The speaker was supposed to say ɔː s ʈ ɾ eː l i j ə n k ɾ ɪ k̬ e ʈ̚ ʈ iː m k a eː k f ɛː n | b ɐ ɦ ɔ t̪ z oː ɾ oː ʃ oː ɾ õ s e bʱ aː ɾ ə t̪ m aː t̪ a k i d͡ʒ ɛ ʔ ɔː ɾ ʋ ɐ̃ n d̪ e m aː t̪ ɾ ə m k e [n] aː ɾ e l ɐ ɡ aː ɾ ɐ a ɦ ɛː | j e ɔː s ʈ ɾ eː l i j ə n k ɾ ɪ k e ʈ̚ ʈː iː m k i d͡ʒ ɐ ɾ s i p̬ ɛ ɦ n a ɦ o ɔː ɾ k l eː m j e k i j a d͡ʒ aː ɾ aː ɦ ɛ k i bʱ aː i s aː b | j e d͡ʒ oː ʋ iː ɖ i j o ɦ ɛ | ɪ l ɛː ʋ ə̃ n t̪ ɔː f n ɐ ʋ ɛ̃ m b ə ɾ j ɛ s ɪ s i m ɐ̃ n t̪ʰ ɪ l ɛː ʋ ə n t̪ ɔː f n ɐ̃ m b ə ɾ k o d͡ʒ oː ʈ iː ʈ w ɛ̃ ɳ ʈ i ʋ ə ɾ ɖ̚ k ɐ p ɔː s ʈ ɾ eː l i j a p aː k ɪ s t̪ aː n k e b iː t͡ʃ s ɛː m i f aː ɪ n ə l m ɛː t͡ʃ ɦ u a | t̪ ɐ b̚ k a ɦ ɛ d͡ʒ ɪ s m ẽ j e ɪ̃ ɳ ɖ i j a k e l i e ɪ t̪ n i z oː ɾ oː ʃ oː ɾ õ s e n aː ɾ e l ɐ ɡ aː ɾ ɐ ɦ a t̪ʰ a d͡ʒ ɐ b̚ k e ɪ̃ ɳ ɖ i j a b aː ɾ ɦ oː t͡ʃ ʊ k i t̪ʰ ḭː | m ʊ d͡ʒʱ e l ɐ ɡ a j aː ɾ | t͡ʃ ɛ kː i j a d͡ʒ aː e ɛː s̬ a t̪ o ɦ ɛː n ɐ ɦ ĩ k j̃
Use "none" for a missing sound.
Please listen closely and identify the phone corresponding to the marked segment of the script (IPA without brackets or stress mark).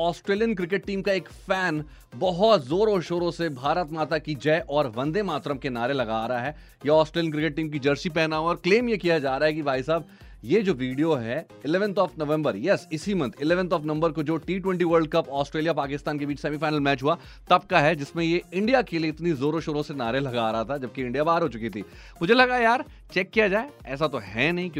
n